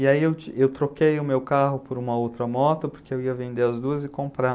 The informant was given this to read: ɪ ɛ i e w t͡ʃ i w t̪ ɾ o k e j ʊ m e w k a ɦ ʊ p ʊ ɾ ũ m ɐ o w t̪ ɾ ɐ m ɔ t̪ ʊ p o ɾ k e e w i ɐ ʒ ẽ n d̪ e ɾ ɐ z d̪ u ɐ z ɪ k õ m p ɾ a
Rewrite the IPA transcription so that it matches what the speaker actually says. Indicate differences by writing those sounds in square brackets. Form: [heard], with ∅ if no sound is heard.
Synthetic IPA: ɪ [a] i e w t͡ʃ [e] w t̪ ɾ o k e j ʊ m e w k a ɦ ʊ p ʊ ɾ ũ m ɐ o w t̪ ɾ ɐ m ɔ t̪ ʊ p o ɾ k e e w i ɐ [v] ẽ n d̪ e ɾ ɐ z d̪ u ɐ z ɪ k õ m p ɾ a

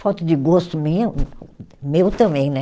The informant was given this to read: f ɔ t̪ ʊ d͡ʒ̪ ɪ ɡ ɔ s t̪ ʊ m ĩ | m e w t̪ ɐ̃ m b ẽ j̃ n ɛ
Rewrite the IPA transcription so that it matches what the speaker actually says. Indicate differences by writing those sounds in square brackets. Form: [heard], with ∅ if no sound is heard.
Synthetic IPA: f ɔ t̪ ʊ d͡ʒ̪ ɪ ɡ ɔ s t̪ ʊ m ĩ | m e w t̪ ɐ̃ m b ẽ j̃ n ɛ

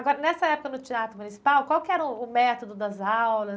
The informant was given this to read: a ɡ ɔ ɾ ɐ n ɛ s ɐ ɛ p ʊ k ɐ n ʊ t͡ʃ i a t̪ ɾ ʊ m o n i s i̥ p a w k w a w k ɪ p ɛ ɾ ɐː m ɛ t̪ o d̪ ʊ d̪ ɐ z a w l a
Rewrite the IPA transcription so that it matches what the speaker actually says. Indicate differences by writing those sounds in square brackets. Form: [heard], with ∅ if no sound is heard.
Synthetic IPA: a ɡ ɔ ɾ ɐ n ɛ s ɐ ɛ p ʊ k ɐ n ʊ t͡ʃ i a t̪ ɾ ʊ m [u] n i s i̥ p a w k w a w k ɪ [∅] ɛ ɾ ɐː m ɛ t̪ o d̪ ʊ d̪ ɐ z a w l [ɐ]

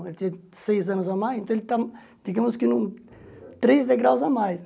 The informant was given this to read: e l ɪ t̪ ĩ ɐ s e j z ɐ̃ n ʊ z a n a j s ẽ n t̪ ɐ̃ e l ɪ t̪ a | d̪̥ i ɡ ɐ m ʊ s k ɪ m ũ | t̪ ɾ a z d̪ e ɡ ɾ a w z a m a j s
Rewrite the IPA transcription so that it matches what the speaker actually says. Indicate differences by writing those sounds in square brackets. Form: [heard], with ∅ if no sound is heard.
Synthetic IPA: e l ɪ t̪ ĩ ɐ s e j z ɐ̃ n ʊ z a [m] a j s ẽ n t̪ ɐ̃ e l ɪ t̪ a | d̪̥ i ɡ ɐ m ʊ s k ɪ [n] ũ | t̪ ɾ [e] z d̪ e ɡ ɾ a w z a m a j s

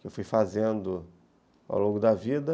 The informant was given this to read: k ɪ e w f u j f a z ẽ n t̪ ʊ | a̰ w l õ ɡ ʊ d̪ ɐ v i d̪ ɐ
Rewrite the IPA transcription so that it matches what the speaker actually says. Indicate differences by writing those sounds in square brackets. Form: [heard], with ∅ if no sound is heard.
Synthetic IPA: k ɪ e w f u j f a z ẽ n [d̪] ʊ | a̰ w l õ ɡ ʊ d̪ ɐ v i d̪ ɐ

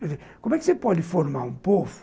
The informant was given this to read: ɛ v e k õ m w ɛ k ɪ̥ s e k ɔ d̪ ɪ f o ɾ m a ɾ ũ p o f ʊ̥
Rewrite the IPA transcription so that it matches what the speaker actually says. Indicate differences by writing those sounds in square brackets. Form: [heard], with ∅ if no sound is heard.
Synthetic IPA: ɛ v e k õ m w ɛ k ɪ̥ s e [p] ɔ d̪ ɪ f o ɾ m a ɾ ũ p o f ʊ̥

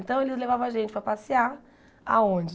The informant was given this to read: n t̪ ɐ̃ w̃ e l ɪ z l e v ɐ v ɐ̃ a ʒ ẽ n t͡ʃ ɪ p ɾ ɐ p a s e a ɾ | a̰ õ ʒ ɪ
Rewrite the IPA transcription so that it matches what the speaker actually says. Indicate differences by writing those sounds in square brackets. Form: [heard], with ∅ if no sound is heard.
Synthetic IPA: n t̪ ɐ̃ w̃ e l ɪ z l e v [a] v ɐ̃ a ʒ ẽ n t͡ʃ ɪ p ɾ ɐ p a s [i] a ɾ | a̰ õ [d͡ʒ] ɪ

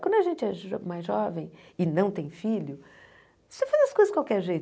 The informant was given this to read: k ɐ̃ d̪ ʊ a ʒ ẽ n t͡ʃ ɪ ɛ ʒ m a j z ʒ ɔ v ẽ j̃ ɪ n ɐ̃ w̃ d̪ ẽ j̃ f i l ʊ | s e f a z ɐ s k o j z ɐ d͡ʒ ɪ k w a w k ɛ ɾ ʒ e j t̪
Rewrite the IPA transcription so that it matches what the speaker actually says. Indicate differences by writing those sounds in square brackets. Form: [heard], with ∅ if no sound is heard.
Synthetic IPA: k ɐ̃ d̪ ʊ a ʒ ẽ n t͡ʃ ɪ ɛ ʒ m a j z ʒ ɔ v ẽ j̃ ɪ n ɐ̃ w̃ [t̪] ẽ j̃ f i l ʊ | s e f a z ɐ s k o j z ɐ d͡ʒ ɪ k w a w k ɛ ɾ ʒ e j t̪

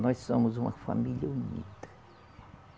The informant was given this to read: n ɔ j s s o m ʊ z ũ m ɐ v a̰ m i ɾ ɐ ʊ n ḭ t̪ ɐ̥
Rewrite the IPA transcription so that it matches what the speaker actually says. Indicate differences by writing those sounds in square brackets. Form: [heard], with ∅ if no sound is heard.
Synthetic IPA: n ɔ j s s o m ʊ z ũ m ɐ [f] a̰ m i [ʎ] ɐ [u] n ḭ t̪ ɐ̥

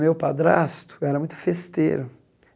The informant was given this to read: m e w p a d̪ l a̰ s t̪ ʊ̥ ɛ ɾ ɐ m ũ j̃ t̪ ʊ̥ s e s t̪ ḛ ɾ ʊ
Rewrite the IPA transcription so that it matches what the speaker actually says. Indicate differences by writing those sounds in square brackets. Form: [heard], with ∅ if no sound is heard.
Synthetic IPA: m e w p a d̪ [ɾ] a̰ s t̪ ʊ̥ ɛ ɾ ɐ m ũ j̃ t̪ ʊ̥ [f] e s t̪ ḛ ɾ ʊ

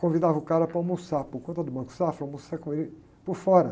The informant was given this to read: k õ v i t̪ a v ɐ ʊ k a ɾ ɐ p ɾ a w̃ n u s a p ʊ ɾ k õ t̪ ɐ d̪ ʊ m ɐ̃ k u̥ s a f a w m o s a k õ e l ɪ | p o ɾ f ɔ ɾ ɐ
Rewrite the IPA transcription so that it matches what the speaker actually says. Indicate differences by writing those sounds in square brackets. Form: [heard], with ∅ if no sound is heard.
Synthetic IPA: k õ v i [d̪] a v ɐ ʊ k a ɾ ɐ p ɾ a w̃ [m] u s a p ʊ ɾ k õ t̪ ɐ d̪ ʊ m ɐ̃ k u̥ s a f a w m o s a k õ e l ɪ | p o ɾ f ɔ ɾ ɐ

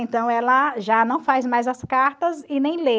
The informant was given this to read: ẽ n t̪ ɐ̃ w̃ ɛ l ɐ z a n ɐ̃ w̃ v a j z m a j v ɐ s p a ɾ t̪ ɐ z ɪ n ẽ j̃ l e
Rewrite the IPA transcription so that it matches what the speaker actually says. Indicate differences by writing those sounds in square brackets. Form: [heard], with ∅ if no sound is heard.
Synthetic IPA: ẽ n t̪ ɐ̃ w̃ ɛ l ɐ [ʒ] a n ɐ̃ w̃ [f] a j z m a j [z] ɐ s [k] a ɾ t̪ ɐ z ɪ n ẽ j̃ l e

